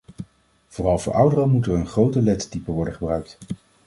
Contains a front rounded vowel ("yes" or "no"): yes